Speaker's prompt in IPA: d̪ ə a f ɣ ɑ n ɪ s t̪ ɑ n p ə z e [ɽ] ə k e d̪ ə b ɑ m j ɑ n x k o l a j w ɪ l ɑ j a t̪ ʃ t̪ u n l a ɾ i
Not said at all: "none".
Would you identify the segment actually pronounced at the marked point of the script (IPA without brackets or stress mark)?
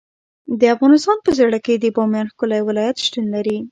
ɽ